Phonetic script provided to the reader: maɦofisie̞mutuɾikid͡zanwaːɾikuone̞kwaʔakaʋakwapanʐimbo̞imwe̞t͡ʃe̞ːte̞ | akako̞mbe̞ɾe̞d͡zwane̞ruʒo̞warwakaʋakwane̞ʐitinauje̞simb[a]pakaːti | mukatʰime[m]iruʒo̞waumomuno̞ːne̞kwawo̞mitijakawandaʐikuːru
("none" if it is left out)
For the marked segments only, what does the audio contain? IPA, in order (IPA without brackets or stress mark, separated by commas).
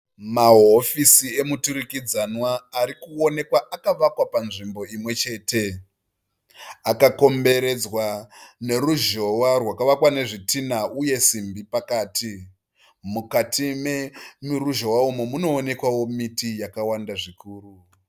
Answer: i, m